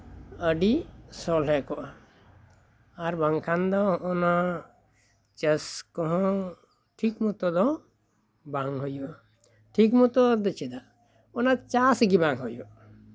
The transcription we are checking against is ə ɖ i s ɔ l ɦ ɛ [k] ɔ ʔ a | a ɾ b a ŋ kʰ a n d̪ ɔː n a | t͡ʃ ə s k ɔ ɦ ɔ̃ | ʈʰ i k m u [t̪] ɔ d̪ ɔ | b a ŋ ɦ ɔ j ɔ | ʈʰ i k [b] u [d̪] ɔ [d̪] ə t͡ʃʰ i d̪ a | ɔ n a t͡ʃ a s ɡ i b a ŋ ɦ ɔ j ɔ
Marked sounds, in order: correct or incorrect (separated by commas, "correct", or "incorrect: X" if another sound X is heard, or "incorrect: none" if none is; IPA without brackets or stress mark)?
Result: correct, correct, incorrect: m, incorrect: t̪, correct